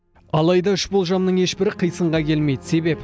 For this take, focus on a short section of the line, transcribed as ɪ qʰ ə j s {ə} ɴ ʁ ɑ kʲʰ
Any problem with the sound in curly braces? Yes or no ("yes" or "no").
no